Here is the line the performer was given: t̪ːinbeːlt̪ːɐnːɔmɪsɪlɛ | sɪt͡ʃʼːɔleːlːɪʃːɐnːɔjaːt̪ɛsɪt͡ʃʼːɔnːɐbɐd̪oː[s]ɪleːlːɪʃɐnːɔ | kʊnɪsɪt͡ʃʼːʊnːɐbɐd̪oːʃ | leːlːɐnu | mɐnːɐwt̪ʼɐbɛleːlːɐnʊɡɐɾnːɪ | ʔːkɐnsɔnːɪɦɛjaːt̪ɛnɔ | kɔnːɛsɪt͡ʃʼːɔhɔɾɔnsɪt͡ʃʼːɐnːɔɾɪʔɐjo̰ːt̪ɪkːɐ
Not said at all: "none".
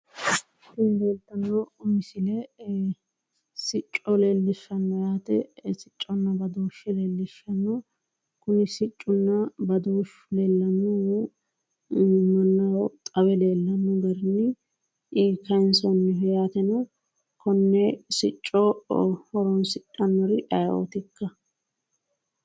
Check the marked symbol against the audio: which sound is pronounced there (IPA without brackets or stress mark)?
ʃ